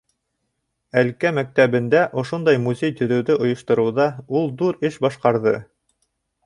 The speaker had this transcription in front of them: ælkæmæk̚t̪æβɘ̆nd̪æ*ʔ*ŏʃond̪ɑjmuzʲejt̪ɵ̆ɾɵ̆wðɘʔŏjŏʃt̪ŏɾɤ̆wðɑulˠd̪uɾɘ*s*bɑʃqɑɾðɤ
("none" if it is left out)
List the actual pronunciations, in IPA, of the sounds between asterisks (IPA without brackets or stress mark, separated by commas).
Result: ʔ, ʃ